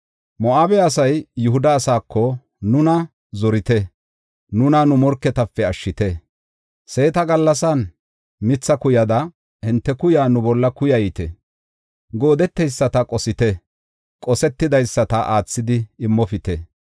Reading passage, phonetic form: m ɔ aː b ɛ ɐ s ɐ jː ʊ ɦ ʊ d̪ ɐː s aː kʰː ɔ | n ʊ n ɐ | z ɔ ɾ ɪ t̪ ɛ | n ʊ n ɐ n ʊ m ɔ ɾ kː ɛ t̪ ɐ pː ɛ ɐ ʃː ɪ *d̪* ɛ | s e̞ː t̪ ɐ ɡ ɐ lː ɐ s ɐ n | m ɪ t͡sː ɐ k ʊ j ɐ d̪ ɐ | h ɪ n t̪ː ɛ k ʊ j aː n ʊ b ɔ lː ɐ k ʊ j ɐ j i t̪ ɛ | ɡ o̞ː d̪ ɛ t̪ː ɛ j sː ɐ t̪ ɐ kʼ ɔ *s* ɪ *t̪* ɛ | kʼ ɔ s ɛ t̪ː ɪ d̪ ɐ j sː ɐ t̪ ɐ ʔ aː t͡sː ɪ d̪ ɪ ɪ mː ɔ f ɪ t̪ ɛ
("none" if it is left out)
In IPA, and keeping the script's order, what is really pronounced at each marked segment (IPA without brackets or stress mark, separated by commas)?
t̪, s, t̪